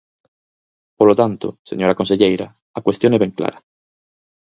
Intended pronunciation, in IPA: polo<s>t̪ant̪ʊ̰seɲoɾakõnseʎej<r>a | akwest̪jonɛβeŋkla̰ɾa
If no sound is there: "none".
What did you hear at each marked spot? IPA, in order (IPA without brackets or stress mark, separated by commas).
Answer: none, ɾ